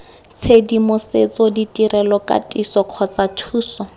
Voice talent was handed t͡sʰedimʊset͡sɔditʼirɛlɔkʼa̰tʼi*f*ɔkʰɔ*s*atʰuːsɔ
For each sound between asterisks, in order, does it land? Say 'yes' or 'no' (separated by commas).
no, no